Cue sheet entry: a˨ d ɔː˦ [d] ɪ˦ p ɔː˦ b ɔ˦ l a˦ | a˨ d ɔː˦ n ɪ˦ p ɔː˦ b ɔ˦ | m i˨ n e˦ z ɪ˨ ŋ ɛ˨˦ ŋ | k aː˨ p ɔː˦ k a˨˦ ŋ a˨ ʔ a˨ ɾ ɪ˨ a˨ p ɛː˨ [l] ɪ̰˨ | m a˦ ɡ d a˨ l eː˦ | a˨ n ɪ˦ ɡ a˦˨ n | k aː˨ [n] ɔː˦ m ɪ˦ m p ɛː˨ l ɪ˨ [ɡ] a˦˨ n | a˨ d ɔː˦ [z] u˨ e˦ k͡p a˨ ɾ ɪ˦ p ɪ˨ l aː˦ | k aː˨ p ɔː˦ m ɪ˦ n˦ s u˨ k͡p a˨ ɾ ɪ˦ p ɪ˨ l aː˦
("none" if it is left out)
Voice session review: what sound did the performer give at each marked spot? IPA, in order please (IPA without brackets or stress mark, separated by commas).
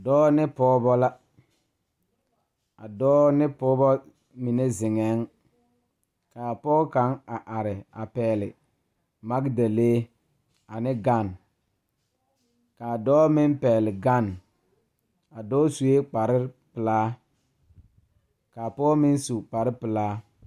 n, l, d, ɡ, s